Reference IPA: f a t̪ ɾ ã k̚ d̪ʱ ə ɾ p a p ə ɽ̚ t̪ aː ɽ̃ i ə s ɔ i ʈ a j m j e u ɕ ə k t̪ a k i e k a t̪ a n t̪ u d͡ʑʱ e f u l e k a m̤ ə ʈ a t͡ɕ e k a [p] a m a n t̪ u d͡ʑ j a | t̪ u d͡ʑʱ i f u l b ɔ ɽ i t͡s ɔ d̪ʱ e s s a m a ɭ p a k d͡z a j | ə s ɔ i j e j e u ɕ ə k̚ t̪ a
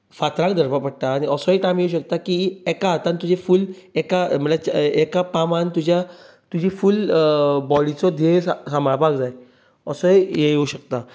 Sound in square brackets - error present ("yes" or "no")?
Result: no